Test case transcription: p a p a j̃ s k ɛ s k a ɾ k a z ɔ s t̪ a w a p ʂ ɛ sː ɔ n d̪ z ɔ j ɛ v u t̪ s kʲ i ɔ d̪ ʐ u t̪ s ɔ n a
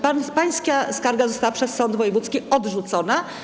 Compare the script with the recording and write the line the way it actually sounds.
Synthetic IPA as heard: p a p a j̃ s k a s k a ɾ ɡ a z ɔ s t̪ a w a p ʂ ɛ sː ɔ n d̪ v ɔ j ɛ v u t̪ s kʲ i ɔ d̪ ʐ u t̪ s ɔ n a